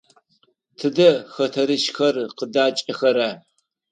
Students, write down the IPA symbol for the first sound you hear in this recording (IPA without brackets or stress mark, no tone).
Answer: tʰ